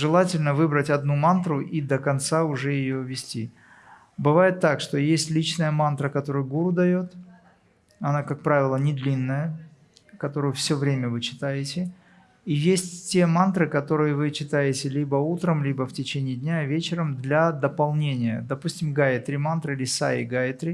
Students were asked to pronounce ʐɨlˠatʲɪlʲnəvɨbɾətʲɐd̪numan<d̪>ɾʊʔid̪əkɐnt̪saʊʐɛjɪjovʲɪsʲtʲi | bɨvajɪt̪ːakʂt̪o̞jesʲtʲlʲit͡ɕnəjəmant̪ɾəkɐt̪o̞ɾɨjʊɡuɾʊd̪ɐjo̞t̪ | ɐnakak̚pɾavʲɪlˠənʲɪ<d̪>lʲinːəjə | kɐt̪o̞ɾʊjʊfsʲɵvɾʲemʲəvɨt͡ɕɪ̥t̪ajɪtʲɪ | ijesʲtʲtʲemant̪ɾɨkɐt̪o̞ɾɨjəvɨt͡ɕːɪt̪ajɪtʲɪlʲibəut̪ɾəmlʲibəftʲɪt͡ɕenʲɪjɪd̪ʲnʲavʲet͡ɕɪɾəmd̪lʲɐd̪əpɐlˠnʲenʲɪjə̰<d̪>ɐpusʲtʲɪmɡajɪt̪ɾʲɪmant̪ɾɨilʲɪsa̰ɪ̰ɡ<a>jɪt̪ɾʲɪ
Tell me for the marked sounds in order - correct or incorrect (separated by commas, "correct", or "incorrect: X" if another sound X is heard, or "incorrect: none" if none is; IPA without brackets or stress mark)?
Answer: incorrect: t̪, correct, correct, correct